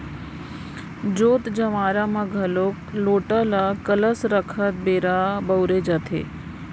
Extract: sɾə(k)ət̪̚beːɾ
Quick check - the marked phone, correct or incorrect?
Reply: incorrect